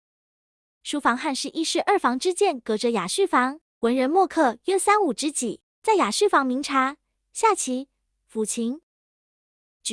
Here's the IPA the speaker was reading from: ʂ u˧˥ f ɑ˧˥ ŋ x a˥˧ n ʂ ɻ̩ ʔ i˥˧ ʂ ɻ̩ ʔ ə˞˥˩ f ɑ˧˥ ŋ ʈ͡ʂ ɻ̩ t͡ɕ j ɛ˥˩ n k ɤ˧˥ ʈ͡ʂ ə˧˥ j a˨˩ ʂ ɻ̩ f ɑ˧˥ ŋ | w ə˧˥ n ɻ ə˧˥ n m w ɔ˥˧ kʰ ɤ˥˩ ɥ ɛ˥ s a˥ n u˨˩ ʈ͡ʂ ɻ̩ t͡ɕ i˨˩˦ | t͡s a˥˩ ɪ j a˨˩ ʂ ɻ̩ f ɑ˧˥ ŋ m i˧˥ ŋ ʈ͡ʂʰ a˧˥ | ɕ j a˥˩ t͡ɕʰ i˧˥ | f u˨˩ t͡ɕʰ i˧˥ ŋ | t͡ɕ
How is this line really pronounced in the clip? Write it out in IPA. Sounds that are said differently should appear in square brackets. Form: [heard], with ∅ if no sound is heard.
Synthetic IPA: ʂ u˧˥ f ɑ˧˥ ŋ x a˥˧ n ʂ ɻ̩ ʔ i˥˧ ʂ ɻ̩ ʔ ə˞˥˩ f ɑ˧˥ ŋ ʈ͡ʂ ɻ̩ t͡ɕ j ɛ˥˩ n k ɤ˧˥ ʈ͡ʂ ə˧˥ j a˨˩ ʂ ɻ̩ f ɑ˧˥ ŋ | w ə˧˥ n ɻ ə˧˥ n m w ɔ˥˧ kʰ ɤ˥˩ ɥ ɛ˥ s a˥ n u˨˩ ʈ͡ʂ ɻ̩ t͡ɕ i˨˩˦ | t͡s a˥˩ ɪ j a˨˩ ʂ ɻ̩ f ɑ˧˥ ŋ m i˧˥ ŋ ʈ͡ʂʰ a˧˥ | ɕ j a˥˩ t͡ɕʰ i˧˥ | f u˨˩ t͡ɕʰ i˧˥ ŋ | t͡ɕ